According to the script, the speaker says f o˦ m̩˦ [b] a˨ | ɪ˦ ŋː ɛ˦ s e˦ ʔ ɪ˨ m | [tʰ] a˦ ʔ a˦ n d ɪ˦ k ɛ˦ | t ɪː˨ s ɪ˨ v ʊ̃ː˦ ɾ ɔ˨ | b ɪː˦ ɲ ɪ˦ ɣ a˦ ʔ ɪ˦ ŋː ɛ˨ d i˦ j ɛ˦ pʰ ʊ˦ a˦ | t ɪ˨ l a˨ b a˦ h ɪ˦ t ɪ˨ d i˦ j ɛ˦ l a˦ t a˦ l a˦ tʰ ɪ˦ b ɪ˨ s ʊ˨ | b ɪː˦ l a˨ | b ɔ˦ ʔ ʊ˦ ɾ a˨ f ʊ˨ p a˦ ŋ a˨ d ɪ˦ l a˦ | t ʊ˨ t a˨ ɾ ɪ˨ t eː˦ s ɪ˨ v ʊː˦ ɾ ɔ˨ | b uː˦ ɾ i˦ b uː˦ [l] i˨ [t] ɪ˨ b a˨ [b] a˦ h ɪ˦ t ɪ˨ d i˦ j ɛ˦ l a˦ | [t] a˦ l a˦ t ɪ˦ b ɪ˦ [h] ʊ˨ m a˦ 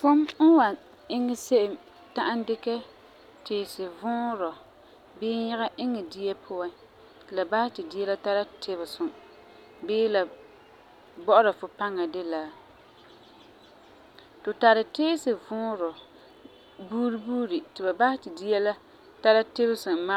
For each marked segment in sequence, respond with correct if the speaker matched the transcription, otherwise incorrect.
incorrect, incorrect, incorrect, correct, correct, correct, incorrect

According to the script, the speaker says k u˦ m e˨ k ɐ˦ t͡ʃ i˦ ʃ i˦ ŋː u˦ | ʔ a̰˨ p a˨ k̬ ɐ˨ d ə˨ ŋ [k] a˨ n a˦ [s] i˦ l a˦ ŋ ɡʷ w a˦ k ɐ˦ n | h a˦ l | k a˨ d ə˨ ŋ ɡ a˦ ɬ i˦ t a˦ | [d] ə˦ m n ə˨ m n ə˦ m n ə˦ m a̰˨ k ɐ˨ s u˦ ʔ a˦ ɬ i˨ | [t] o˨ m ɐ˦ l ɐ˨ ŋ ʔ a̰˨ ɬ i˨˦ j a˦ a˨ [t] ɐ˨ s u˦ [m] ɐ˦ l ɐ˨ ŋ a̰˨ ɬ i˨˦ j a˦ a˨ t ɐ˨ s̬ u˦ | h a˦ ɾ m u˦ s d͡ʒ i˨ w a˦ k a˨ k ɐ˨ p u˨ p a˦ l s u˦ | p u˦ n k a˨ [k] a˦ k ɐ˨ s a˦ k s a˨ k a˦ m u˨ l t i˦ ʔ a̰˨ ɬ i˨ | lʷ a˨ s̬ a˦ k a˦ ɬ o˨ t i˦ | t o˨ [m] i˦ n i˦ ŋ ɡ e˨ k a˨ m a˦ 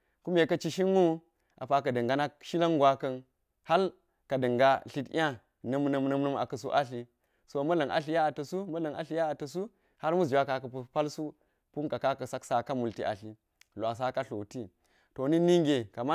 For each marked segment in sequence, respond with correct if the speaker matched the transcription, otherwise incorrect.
incorrect, incorrect, incorrect, incorrect, correct, correct, correct, incorrect

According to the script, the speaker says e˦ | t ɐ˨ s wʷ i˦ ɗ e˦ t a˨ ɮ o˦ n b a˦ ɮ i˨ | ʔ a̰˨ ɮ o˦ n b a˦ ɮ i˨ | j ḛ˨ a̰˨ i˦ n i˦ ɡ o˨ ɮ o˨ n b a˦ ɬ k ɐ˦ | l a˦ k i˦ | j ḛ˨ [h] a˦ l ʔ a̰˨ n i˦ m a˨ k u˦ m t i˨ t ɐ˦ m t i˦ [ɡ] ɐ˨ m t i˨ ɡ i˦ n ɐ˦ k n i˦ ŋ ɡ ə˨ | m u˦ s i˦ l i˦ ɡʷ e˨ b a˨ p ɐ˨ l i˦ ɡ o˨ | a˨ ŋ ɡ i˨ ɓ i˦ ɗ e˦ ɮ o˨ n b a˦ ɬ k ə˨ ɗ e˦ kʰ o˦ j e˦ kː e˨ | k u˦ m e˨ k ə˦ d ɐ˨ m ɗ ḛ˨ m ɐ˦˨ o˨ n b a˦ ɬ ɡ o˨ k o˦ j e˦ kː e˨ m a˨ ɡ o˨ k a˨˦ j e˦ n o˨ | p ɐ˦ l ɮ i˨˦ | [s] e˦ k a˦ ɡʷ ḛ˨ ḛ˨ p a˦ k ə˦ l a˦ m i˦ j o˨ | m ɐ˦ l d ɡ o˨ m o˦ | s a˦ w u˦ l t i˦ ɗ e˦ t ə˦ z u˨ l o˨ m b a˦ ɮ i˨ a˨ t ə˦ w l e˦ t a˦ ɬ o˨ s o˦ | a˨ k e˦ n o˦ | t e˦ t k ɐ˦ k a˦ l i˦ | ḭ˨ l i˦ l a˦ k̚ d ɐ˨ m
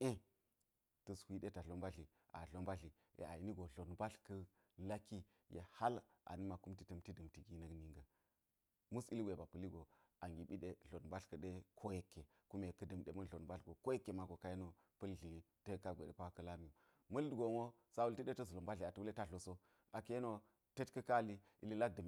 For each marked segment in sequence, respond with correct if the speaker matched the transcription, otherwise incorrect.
correct, incorrect, incorrect

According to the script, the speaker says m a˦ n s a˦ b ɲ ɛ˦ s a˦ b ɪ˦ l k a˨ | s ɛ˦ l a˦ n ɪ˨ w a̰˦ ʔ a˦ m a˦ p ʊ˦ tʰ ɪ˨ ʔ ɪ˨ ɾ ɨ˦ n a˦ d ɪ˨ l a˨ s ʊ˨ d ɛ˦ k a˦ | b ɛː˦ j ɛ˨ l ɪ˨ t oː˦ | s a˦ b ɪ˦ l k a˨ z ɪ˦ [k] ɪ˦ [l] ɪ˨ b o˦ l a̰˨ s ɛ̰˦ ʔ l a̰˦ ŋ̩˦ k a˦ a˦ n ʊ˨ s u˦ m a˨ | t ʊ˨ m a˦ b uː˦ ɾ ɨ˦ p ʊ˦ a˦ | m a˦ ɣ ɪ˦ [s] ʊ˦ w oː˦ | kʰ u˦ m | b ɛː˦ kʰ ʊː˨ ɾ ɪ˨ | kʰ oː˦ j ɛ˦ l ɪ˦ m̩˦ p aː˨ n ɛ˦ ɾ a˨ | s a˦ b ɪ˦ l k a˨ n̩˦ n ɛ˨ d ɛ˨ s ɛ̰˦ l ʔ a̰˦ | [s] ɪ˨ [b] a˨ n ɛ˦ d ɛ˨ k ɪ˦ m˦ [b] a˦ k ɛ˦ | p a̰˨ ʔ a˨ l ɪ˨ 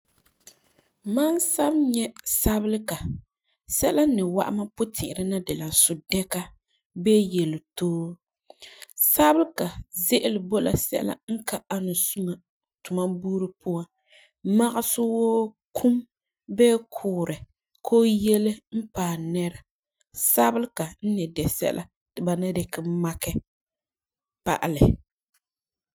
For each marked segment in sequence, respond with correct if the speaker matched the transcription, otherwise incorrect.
incorrect, correct, correct, incorrect, correct, incorrect

